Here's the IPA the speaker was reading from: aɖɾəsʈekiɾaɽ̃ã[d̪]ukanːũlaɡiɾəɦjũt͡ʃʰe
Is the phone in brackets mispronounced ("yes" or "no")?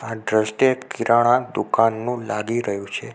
no